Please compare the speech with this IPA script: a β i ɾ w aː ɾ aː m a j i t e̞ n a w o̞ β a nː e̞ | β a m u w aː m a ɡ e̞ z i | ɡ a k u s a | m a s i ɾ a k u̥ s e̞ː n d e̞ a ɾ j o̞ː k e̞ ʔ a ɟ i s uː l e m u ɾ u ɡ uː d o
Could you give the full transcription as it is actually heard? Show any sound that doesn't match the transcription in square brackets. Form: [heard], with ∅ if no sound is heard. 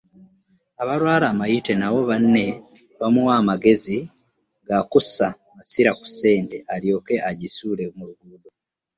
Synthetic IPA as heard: a β [a] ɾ w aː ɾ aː m a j i t e̞ n a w o̞ β a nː e̞ | β a m u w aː m a ɡ e̞ z i | ɡ a k u s a | m a s i ɾ a k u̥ s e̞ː n [t] e̞ a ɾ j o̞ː k e̞ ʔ a ɟ i s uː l e m u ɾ u ɡ uː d o